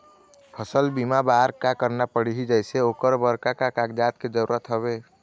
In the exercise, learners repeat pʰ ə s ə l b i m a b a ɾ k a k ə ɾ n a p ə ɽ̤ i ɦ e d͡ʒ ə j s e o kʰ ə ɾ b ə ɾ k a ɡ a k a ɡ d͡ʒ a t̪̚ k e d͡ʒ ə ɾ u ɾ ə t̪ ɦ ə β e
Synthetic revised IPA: pʰ ə s ə l b i m a b a ɾ k a k ə ɾ n a p ə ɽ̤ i ɦ i d͡ʒ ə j s e o k ə ɾ b ə ɾ k a k a k a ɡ d͡ʒ a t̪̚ k e d͡ʒ ə ɾ u ɾ ə t̪ ɦ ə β e